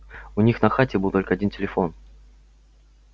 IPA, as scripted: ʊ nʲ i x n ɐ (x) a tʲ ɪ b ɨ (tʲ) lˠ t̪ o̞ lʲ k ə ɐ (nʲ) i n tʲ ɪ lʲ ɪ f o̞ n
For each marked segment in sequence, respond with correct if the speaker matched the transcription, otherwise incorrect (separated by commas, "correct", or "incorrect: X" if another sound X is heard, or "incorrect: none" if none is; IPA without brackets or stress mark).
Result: correct, incorrect: none, incorrect: dʲ